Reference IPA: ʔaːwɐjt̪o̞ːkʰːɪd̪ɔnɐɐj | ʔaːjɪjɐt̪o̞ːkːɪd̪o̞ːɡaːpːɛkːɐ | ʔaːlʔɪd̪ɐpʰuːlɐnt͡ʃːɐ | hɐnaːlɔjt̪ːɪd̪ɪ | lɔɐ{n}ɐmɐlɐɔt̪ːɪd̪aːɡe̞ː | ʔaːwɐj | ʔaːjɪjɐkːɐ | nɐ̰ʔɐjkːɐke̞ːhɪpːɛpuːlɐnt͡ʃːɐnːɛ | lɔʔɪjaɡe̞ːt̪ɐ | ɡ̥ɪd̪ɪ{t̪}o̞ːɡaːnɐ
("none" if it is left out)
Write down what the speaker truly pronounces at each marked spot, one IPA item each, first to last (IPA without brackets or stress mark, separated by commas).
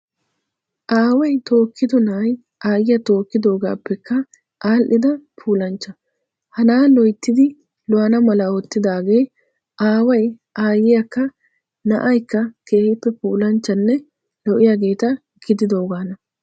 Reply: n, d̪